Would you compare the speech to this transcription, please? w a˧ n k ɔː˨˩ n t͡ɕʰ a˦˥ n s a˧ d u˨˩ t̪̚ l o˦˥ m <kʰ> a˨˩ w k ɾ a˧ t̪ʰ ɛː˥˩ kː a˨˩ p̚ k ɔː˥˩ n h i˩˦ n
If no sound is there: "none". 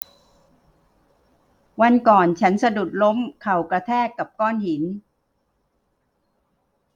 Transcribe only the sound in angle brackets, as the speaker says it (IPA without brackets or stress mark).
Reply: kʰ